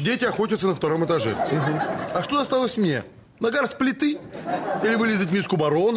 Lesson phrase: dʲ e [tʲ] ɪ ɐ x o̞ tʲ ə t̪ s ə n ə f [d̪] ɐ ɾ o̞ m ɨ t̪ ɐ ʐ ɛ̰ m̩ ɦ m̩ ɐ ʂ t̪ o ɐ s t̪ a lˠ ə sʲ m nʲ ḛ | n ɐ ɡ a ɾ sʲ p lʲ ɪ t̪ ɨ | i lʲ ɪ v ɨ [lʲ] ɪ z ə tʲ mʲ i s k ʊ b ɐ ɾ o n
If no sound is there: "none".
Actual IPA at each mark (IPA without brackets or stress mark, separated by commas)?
tʲ, t̪, lʲ